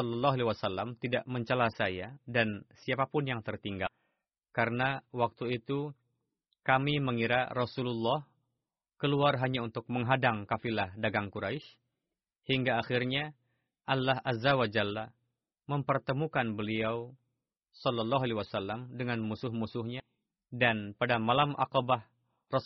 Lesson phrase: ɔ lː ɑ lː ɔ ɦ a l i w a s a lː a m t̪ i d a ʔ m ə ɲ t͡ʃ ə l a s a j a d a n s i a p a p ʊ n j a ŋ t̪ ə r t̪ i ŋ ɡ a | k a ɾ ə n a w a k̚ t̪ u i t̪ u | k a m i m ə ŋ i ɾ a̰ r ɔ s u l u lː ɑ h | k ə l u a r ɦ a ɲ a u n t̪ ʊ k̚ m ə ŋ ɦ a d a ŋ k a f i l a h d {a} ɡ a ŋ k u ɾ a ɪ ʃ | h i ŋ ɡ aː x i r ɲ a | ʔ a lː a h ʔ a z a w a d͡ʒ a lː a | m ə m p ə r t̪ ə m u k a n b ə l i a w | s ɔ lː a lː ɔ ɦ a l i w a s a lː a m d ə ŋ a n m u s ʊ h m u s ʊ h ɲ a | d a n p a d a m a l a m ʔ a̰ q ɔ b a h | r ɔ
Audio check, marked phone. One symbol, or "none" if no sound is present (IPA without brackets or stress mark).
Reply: a